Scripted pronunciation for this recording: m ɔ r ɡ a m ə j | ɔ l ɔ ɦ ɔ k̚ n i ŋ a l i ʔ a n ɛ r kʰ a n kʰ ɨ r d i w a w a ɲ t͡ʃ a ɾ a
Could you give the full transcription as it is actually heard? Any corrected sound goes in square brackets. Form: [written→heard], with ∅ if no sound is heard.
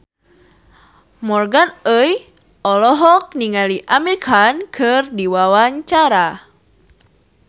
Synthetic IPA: m ɔ r ɡ a [m→n] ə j | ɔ l ɔ ɦ ɔ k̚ n i ŋ a l i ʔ a [n→m] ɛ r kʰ a n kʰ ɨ r d i w a w a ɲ t͡ʃ a ɾ a

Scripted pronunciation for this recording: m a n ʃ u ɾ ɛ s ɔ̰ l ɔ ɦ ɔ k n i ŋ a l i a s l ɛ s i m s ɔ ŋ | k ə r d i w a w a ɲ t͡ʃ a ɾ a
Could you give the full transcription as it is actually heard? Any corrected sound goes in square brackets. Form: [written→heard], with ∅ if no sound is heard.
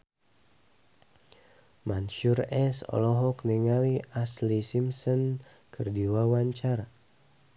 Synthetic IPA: m a n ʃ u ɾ ɛ s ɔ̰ l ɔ ɦ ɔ k n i ŋ a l i a s l [ɛ→i] s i m s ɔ [ŋ→n] | k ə r d i w a w a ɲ t͡ʃ a ɾ a

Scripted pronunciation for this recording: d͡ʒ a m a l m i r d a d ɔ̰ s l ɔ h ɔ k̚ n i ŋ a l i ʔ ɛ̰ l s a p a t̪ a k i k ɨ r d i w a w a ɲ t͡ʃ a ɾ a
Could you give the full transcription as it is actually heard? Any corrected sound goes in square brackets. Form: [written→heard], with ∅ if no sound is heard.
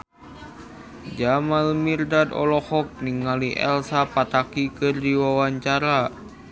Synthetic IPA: d͡ʒ a m a l m i r d a d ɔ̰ [s→∅] l ɔ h ɔ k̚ n i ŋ a l i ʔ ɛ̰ l s a p a t̪ a k i k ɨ r d i w a w a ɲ t͡ʃ a ɾ a

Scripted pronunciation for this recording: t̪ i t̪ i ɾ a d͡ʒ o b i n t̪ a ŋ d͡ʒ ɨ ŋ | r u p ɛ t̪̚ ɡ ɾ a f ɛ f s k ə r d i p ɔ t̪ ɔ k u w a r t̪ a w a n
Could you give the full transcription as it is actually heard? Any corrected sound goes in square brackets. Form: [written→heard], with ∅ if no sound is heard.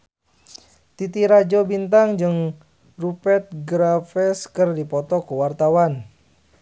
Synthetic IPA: t̪ i t̪ i ɾ a d͡ʒ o b i n t̪ a ŋ d͡ʒ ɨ ŋ | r u p ɛ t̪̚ ɡ ɾ a f ɛ [f→∅] s k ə r d i p ɔ t̪ ɔ k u w a r t̪ a w a n

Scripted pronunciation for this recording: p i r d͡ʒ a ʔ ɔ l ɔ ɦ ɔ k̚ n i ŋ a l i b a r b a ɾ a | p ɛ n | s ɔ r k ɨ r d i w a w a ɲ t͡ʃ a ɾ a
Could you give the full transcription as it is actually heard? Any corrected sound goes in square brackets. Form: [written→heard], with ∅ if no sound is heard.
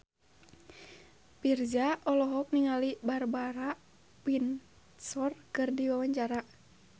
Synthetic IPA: p i r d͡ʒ a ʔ ɔ l ɔ ɦ ɔ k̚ n i ŋ a l i b a r b a ɾ a | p [ɛ→i] n | s ɔ r k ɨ r d i w a w a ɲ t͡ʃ a ɾ a

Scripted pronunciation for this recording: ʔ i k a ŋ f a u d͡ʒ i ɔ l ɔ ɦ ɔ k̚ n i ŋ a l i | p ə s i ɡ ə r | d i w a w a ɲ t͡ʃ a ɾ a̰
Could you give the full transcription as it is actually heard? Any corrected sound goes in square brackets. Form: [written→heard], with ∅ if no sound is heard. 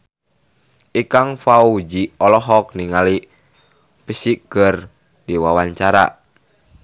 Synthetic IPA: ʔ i k a ŋ f a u d͡ʒ i ɔ l ɔ ɦ ɔ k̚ n i ŋ a l i | p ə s i [ɡ→k] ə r | d i w a w a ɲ t͡ʃ a ɾ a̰

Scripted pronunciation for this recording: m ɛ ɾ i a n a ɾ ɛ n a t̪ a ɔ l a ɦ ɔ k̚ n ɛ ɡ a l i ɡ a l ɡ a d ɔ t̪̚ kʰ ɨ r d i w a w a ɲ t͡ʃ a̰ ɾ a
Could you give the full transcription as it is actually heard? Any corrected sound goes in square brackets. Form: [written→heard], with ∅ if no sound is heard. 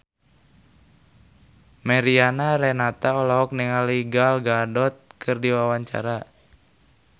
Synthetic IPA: m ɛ ɾ i a n a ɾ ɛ n a t̪ a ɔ l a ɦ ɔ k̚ n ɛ [ɡ→ŋ] a l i ɡ a l ɡ a d ɔ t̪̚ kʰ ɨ r d i w a w a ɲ t͡ʃ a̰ ɾ a

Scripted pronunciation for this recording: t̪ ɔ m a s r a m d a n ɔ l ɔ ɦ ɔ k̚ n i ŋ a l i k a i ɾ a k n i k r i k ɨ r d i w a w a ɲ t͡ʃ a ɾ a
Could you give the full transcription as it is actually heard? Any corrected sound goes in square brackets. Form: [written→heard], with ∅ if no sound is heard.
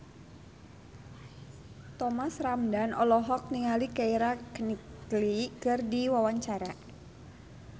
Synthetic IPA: t̪ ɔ m a s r a m d a n ɔ l ɔ ɦ ɔ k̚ n i ŋ a l i k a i ɾ a k n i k [r→l] i k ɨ r d i w a w a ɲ t͡ʃ a ɾ a

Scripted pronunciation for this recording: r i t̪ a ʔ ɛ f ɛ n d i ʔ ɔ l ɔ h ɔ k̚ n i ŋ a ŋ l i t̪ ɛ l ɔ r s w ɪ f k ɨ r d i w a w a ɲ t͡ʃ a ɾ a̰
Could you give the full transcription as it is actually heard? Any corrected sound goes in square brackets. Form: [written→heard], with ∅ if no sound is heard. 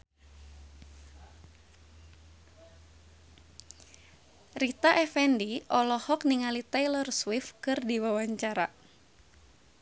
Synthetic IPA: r i t̪ a ʔ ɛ f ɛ n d i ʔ ɔ l ɔ h ɔ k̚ n i ŋ a [ŋ→∅] l i t̪ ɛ l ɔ r s w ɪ f k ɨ r d i w a w a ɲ t͡ʃ a ɾ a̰

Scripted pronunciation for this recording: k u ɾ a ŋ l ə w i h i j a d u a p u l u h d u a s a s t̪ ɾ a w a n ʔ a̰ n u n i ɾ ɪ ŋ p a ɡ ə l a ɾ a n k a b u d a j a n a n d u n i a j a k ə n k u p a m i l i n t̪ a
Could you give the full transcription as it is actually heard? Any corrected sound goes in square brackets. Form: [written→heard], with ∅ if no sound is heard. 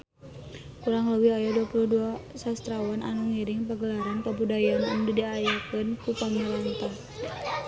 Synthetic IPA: k u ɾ a ŋ l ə w i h [i→a] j a d u a p u l u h d u a s a s t̪ ɾ a w a n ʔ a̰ n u [n→ŋ] i ɾ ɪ ŋ p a ɡ ə l a ɾ a n k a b u d a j a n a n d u [n→d] i a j a k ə n k u p a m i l [i→a] n t̪ a

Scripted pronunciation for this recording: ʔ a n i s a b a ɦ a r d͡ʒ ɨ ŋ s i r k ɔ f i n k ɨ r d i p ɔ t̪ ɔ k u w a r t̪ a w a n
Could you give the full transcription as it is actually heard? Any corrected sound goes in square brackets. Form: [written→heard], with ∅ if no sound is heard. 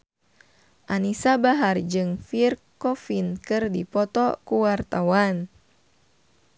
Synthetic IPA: ʔ a n i s a b a ɦ a r d͡ʒ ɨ ŋ [s→f] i r k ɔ f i n k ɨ r d i p ɔ t̪ ɔ k u w a r t̪ a w a n

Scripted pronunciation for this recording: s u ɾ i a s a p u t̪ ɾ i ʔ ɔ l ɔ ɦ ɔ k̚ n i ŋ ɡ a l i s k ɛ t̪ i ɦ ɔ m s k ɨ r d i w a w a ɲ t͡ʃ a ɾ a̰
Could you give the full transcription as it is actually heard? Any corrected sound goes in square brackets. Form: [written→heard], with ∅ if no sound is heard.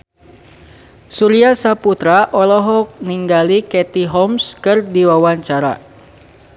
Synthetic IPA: s u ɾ i a s a p u t̪ ɾ [i→a] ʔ ɔ l ɔ ɦ ɔ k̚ n i ŋ ɡ a l i [s→∅] k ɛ t̪ i ɦ ɔ m s k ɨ r d i w a w a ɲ t͡ʃ a ɾ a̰

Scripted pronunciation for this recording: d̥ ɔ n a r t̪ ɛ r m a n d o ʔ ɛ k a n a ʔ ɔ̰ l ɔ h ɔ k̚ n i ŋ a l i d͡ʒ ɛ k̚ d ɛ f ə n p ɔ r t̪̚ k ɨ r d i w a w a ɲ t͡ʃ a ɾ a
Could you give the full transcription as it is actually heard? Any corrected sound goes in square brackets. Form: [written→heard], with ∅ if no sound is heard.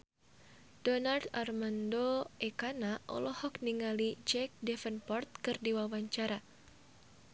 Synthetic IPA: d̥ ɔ n a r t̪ [ɛ→a] r m a n d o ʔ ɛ k a n a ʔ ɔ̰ l ɔ h ɔ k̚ n i ŋ a l i d͡ʒ ɛ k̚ d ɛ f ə n p ɔ r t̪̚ k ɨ r d i w a w a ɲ t͡ʃ a ɾ a

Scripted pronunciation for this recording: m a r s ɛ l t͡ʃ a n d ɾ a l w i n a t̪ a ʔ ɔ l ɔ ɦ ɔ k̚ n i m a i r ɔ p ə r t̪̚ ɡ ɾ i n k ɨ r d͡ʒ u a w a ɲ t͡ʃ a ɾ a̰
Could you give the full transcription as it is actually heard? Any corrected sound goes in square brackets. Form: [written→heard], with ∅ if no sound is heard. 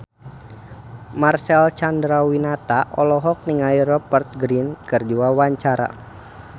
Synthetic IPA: m a r s ɛ l t͡ʃ a n d ɾ a [l→∅] w i n a t̪ a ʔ ɔ l ɔ ɦ ɔ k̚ n i [m→ŋ] a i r ɔ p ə r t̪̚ ɡ ɾ i n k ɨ r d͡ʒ u a w a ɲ t͡ʃ a ɾ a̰

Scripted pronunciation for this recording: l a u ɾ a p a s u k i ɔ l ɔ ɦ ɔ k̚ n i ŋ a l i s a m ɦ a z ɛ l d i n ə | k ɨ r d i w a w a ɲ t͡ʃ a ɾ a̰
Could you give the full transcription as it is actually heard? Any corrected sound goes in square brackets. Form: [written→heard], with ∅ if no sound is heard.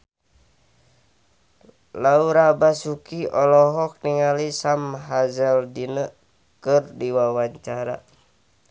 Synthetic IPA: l a u ɾ a [p→b] a s u k i ɔ l ɔ ɦ ɔ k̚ n i ŋ a l i s a m ɦ a z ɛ l d i n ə | k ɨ r d i w a w a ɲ t͡ʃ a ɾ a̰

